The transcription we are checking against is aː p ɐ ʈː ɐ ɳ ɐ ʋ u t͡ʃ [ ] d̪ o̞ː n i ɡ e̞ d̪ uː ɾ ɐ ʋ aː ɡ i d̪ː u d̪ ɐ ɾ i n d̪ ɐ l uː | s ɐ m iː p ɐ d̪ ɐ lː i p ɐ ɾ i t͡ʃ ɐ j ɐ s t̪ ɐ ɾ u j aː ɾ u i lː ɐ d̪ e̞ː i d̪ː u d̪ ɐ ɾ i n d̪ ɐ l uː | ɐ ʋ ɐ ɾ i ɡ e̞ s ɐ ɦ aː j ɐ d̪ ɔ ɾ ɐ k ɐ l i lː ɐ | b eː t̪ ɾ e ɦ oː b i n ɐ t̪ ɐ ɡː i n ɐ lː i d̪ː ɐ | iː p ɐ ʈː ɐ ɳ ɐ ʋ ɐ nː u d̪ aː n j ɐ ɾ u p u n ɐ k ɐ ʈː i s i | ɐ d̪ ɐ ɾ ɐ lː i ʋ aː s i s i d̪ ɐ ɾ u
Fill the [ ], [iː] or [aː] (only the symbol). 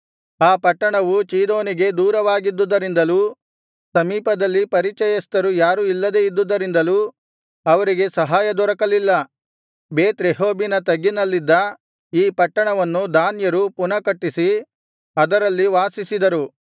iː